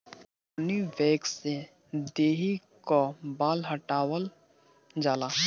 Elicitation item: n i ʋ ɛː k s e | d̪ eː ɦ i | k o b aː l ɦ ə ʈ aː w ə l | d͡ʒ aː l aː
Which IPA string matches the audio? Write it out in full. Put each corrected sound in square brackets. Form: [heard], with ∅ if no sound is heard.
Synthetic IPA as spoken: n i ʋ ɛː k s e | d̪ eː ɦ i | k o b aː l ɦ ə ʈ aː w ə l | d͡ʒ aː l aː